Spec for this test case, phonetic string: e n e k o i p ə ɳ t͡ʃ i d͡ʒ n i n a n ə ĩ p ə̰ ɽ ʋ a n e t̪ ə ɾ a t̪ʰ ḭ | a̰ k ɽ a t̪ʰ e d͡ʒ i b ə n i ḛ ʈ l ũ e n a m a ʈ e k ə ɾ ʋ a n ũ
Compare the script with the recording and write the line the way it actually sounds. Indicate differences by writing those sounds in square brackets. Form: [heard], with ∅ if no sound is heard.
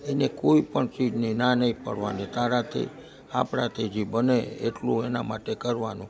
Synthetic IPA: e n e k o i p ə ɳ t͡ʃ i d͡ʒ n i n a n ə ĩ p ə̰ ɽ ʋ a n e t̪ [a] ɾ a t̪ʰ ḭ | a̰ [p] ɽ a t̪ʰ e d͡ʒ i b ə n [e] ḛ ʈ l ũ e n a m a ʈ e k ə ɾ ʋ a n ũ